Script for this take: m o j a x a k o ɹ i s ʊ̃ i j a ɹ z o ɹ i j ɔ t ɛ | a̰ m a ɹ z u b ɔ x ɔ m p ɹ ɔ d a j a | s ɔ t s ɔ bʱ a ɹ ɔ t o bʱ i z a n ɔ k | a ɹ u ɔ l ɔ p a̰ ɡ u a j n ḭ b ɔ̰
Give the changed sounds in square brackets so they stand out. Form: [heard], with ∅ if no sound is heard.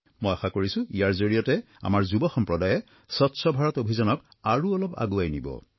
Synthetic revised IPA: m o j a x a k o ɹ i s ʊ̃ i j a ɹ z o ɹ i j ɔ t ɛ | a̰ m a ɹ z u b ɔ x ɔ m p ɹ ɔ d a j [ɛ] | s ɔ t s ɔ bʱ a ɹ ɔ t o bʱ i z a n ɔ k | a ɹ u ɔ l ɔ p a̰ ɡ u a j n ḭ b ɔ̰